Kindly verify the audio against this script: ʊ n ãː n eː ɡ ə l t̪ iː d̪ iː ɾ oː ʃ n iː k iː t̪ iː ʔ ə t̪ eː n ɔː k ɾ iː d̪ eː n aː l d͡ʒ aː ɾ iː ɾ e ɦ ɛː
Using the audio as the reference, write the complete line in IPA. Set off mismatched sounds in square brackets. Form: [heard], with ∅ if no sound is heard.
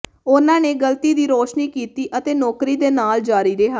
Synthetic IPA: ʊ n ãː n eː ɡ ə l t̪ iː d̪ iː ɾ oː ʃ n iː k iː t̪ iː ʔ ə t̪ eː n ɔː k ɾ iː d̪ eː n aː l d͡ʒ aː ɾ iː ɾ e ɦ [aː]